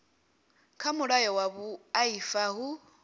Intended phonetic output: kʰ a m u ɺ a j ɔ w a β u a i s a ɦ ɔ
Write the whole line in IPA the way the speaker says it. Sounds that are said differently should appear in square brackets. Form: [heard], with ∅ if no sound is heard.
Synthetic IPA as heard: kʰ a m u ɺ a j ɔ w a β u a i [f] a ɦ [u]

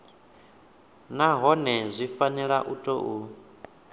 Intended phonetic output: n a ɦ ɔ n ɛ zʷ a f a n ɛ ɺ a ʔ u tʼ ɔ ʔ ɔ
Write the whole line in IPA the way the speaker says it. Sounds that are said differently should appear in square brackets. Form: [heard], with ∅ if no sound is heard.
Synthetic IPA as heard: n a ɦ ɔ n ɛ zʷ [i] f a n ɛ ɺ a ʔ u tʼ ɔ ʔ [u]

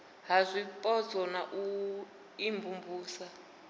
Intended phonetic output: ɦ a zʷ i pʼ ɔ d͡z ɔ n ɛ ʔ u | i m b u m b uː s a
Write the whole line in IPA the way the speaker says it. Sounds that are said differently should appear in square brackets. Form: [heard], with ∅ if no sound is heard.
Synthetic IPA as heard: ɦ a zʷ i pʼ ɔ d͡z ɔ n [a] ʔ u | i m b u m b uː s a

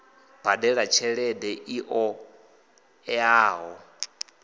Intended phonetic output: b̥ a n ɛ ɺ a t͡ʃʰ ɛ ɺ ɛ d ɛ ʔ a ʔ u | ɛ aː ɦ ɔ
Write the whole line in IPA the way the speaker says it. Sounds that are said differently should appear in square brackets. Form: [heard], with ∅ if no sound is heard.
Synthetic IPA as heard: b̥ a [d] ɛ ɺ a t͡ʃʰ ɛ ɺ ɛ d ɛ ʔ [i] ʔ [ɔ] | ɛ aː ɦ ɔ

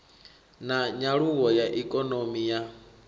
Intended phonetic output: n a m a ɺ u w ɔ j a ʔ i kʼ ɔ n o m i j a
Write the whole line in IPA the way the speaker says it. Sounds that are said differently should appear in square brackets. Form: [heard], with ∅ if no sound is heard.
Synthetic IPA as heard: n a [ɲ] a ɺ u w ɔ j a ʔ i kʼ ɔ n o m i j a

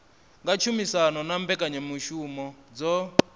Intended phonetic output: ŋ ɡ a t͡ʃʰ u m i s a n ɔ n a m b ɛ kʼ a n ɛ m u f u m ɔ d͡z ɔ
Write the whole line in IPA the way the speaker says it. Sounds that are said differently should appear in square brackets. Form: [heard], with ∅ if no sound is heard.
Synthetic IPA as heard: ŋ ɡ a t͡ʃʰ u m i s a n ɔ n a m b ɛ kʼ a [ɲ] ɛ m u [ʃ] u m ɔ d͡z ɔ

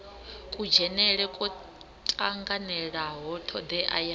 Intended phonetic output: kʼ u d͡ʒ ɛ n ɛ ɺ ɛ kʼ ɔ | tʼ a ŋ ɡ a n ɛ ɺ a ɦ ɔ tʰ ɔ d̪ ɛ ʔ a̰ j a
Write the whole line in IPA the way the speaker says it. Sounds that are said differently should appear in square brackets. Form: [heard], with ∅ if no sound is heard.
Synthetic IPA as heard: kʼ u d͡ʒ ɛ n ɛ ɺ ɛ kʼ ɔ | tʼ a ŋ ɡ a n ɛ ɺ a ɦ ɔ tʰ ɔ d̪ ɛ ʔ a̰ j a

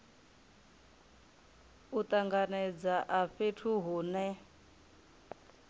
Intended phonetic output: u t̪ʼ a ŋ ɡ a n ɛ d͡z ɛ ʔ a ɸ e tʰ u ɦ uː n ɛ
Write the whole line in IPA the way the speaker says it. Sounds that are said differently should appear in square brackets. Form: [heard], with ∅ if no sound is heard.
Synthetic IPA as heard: u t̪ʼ a ŋ ɡ a n ɛ d͡z [a] ʔ a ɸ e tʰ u ɦ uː n ɛ

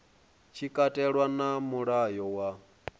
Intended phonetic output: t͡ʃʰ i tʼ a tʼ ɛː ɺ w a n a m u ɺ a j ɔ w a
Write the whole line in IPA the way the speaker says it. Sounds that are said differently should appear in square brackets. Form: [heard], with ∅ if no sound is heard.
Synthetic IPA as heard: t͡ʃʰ i [kʼ] a tʼ [ɛ] ɺ w a n a m u ɺ a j ɔ w a

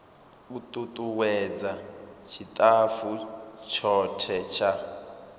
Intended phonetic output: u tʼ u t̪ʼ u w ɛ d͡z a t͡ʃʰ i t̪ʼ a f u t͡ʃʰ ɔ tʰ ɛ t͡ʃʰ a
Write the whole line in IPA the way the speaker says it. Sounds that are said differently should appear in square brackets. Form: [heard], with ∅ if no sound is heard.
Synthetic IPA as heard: u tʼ u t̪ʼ u w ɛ d͡z a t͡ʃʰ i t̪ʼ a f u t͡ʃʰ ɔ tʰ ɛ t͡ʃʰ a

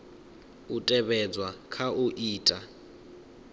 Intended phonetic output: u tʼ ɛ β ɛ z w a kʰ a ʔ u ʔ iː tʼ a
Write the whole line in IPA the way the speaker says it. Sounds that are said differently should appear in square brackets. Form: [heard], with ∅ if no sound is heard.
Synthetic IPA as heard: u tʼ ɛ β ɛ [d͡z] w a kʰ a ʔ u ʔ iː tʼ a

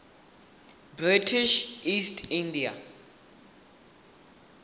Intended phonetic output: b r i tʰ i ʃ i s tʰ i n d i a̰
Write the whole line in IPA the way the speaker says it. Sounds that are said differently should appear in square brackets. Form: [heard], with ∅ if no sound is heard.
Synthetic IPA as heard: b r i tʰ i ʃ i s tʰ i n d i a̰

